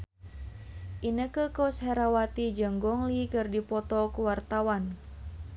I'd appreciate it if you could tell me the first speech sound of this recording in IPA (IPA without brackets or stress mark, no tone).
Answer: ʔ